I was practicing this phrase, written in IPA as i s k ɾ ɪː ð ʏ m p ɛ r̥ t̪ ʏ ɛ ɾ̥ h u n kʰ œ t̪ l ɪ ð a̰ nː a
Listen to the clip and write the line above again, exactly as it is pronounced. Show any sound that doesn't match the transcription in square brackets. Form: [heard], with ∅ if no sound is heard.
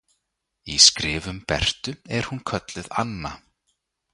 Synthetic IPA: i s k ɾ ɪː [v] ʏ m p ɛ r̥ t̪ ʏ ɛ ɾ̥ h u n kʰ œ t̪ l ɪ ð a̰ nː a